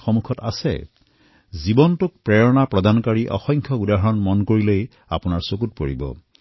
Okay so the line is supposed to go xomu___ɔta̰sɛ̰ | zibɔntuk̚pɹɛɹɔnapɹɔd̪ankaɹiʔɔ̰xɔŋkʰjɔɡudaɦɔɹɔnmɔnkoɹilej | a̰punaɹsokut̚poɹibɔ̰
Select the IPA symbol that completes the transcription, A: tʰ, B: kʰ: B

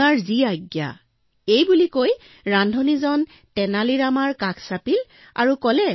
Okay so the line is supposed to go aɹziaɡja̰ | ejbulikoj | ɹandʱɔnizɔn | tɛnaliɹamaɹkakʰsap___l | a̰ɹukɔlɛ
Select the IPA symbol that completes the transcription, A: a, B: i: B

